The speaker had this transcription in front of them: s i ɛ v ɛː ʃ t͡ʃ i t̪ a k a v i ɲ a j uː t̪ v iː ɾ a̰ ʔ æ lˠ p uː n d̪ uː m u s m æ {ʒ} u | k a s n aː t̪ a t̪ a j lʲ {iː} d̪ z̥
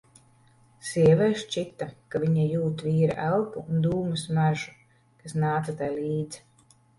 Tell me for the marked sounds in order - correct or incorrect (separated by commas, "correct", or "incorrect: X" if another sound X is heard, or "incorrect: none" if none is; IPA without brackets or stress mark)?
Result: correct, correct